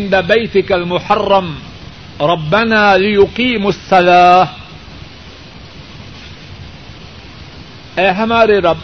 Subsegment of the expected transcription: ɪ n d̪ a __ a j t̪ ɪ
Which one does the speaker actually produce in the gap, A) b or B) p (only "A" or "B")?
A